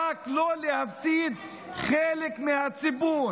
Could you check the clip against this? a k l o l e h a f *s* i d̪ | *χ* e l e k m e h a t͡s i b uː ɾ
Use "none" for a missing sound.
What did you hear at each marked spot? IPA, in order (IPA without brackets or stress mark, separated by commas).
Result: s, χ